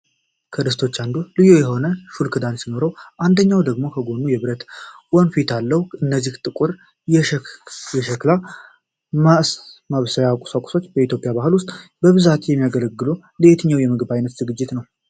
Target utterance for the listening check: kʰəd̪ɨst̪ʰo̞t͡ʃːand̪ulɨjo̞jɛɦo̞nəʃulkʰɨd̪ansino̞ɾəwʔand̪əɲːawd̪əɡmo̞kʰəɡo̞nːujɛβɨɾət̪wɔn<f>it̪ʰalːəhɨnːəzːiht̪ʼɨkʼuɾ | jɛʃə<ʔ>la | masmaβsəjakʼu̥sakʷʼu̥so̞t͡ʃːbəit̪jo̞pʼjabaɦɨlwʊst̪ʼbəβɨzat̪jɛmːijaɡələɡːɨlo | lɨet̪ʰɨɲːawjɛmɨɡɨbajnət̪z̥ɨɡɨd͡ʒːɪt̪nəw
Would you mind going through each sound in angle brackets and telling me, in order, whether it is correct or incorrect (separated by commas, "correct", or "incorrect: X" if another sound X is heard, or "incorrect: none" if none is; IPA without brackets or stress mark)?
correct, incorrect: k